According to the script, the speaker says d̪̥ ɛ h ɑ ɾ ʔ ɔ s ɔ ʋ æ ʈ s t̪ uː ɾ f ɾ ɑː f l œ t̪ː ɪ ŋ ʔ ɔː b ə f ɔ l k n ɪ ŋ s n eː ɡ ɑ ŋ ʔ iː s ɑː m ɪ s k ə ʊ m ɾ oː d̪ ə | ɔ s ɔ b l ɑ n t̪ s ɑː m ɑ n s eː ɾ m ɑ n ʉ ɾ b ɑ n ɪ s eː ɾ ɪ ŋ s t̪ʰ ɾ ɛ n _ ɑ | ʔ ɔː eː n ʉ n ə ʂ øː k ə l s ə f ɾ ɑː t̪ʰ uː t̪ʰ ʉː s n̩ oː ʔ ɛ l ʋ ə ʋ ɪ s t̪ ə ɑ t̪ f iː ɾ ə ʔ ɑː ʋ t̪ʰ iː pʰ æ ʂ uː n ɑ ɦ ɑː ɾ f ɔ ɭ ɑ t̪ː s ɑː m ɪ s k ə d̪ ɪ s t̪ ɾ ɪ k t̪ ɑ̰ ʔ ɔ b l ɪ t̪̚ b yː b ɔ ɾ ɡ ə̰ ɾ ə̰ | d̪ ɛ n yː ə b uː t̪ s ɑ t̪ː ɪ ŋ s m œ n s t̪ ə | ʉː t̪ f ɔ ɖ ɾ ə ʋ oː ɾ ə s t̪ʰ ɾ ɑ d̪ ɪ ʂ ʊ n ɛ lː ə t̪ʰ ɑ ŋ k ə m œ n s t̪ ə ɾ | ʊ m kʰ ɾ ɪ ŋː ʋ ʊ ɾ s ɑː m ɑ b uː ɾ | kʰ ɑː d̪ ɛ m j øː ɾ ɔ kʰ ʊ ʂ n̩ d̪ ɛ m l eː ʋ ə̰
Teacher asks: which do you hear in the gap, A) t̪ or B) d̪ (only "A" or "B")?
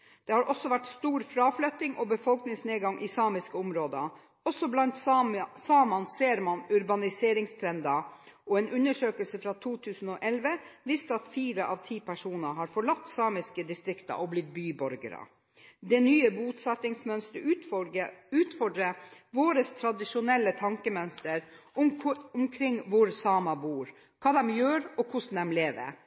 B